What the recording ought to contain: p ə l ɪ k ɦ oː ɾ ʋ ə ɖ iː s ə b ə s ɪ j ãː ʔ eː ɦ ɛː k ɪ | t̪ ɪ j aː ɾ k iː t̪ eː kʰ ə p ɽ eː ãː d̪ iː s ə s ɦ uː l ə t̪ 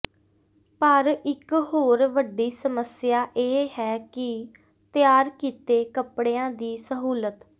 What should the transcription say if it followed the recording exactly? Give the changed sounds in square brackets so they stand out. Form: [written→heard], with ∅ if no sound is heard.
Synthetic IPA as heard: p ə [l→ɾ] ɪ k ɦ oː ɾ ʋ ə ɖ iː s ə [b→m] ə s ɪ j [ãː→aː] ʔ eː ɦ ɛː k ɪ | t̪ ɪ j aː ɾ k iː t̪ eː [kʰ→k] ə p ɽ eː ãː d̪ iː s ə [s→∅] ɦ uː l ə t̪